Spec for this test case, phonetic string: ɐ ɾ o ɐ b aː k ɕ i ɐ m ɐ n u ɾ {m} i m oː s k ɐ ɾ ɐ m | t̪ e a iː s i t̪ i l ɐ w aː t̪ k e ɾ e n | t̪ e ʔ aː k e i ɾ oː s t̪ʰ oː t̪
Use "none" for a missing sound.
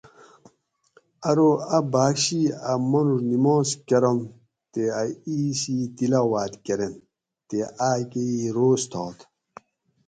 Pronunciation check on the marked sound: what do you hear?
n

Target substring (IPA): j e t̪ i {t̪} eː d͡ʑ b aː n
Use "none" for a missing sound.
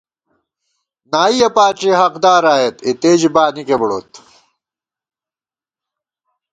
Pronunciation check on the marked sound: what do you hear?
t̪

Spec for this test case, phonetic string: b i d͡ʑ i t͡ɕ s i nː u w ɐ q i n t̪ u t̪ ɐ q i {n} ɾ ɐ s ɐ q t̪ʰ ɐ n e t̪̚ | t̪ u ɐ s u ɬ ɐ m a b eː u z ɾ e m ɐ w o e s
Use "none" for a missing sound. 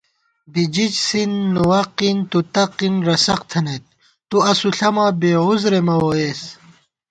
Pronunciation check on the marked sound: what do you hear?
n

